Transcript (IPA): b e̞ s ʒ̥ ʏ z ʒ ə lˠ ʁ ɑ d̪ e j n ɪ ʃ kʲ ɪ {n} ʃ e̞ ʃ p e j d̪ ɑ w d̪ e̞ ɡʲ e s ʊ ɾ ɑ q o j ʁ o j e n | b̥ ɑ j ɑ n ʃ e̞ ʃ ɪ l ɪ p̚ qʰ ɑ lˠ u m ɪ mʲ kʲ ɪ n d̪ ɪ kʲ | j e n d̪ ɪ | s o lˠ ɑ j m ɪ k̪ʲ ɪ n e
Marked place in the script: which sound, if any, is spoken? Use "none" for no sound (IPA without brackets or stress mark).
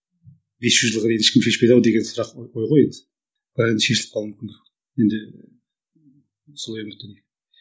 m